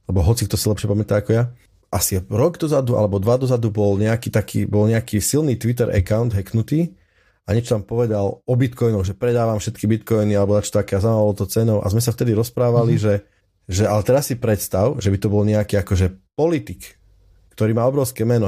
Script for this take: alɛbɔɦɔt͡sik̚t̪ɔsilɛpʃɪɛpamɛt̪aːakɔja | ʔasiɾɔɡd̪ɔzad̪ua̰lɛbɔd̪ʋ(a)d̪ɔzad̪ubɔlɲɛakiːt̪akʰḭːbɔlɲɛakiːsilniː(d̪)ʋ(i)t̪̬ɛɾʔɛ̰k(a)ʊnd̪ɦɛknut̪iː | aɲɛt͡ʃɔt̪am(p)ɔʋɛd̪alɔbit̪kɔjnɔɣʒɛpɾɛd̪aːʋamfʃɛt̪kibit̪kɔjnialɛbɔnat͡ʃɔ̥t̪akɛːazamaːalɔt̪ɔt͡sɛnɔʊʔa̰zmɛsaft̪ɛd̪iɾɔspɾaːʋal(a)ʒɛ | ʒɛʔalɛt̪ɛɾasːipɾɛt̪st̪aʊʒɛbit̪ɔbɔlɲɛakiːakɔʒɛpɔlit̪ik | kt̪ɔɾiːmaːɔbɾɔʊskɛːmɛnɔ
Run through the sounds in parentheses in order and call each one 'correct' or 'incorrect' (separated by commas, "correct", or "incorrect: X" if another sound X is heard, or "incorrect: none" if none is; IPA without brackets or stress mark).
correct, incorrect: t̪, correct, correct, correct, incorrect: i